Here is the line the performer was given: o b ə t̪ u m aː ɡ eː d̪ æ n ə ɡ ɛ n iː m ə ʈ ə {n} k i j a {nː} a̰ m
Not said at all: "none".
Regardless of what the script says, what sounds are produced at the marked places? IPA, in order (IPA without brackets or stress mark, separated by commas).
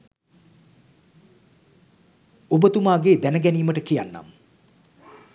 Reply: none, nː